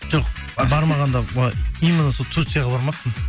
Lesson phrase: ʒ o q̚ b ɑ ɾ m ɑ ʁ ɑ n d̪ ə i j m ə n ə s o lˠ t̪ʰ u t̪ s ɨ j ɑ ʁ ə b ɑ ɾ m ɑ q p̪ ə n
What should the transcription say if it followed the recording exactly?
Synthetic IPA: ʒ o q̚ b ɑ ɾ m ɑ ʁ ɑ n d̪ ɑ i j m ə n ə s o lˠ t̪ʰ u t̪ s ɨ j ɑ ʁ ɑ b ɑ ɾ m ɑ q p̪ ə n